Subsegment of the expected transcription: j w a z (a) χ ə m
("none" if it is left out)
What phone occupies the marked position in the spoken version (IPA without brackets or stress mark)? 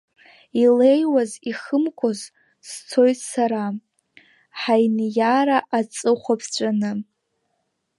i